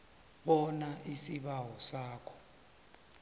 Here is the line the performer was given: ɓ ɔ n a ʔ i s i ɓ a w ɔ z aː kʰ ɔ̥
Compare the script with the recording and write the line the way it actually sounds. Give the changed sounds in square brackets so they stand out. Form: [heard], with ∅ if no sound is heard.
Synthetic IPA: ɓ ɔ n a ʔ i s i ɓ a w ɔ [s] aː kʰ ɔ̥